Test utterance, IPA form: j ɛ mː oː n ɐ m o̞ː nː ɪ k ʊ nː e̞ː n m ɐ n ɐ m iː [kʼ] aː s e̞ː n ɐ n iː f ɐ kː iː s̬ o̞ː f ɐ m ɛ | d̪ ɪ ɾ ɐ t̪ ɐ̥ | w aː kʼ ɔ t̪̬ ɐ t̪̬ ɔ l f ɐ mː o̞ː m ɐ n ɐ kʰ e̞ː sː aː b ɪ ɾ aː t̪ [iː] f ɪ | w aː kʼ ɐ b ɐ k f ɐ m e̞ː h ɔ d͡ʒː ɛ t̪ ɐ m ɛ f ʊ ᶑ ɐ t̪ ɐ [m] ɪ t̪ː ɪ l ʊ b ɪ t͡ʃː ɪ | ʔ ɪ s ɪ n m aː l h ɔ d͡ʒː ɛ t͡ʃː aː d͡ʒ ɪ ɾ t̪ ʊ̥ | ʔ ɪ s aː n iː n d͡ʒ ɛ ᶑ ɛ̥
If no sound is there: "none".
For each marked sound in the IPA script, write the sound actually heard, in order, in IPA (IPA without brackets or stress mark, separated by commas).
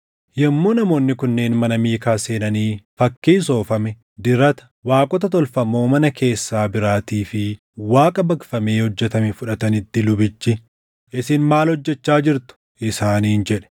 k, iː, n